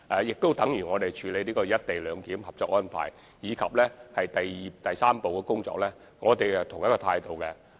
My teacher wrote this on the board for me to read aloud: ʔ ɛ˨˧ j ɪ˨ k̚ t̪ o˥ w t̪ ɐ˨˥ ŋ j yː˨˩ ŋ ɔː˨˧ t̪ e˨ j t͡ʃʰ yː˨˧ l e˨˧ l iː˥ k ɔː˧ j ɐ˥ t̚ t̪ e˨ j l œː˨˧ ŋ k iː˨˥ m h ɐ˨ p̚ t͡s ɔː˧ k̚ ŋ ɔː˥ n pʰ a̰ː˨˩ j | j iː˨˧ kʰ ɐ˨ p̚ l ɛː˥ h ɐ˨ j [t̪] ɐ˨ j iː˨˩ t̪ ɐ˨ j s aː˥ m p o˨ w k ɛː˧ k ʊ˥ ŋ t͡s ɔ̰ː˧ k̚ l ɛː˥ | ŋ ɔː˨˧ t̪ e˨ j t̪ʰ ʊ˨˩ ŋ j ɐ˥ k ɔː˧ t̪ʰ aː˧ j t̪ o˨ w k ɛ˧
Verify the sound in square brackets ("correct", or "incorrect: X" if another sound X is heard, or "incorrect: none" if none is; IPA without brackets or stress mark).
correct